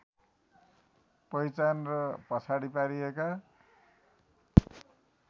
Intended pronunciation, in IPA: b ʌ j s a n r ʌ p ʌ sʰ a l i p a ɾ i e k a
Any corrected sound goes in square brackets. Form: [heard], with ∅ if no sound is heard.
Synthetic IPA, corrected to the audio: [p] ʌ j [t͡s] a n r ʌ p ʌ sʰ a [ɽ] i p a ɾ i e k a